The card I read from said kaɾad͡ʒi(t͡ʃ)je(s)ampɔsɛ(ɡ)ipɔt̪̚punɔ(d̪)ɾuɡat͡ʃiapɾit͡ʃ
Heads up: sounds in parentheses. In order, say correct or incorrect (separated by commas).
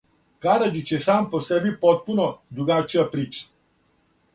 correct, correct, incorrect, correct